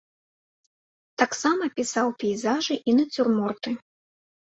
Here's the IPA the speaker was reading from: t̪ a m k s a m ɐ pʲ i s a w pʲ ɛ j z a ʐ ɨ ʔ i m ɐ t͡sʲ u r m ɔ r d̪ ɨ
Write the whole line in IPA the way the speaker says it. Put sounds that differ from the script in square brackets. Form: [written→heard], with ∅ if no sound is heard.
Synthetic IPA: t̪ a [m→∅] k s a m ɐ pʲ i s a w pʲ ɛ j z a ʐ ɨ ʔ i [m→n] ɐ t͡sʲ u r m ɔ r [d̪→t̪] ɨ

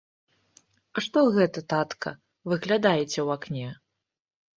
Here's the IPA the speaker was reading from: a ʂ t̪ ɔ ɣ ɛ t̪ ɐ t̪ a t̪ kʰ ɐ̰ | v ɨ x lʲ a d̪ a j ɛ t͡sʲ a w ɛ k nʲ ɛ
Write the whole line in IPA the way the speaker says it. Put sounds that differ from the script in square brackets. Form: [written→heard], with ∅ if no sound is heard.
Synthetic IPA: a ʂ t̪ ɔ ɣ ɛ t̪ ɐ t̪ a t̪ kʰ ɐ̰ | v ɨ [x→ɣ] lʲ a d̪ a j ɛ t͡sʲ [a→ɛ] w [ɛ→a] k nʲ ɛ

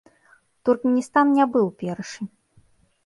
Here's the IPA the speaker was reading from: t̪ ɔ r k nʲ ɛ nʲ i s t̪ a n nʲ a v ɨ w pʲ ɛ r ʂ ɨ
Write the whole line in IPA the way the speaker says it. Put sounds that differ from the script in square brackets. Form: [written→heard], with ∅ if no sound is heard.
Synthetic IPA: t̪ [ɔ→u] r k [nʲ→mʲ] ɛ nʲ i s t̪ a n nʲ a [v→b] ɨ w pʲ ɛ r ʂ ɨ

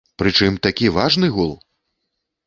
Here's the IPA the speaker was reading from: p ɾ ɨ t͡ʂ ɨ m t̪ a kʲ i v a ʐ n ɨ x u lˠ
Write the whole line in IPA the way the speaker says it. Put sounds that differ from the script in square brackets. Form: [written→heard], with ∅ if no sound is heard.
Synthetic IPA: p ɾ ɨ t͡ʂ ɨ m t̪ a kʲ i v a ʐ n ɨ [x→ɣ] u lˠ

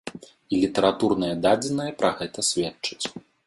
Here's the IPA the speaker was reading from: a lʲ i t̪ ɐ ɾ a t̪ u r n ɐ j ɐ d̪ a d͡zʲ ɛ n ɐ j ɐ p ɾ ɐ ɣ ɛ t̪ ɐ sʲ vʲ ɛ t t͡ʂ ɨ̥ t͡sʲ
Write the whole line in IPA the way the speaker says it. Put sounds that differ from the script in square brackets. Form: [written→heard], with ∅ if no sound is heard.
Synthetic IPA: [a→i] lʲ i t̪ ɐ ɾ a t̪ u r n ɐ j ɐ d̪ a d͡zʲ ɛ n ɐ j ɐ p ɾ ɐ ɣ ɛ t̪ ɐ sʲ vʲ ɛ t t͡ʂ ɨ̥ t͡sʲ

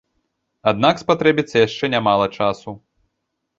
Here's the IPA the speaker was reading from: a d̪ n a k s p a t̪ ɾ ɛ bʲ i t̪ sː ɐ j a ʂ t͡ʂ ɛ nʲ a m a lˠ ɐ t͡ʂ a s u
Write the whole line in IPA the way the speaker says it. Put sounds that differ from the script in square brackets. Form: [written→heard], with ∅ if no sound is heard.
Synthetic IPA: a d̪ n a k s p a t̪ ɾ ɛ bʲ i t̪ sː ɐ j a ʂ t͡ʂ ɛ nʲ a m a lˠ ɐ t͡ʂ a s u

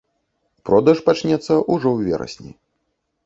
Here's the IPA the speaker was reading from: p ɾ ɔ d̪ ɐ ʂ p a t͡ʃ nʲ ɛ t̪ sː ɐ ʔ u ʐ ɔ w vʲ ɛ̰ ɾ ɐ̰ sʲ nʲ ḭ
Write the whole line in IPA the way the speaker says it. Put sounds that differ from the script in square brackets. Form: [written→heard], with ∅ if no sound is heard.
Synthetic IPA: p ɾ ɔ d̪ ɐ ʂ p a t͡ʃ nʲ ɛ t̪ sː ɐ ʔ u ʐ ɔ w vʲ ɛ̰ ɾ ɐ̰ sʲ nʲ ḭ

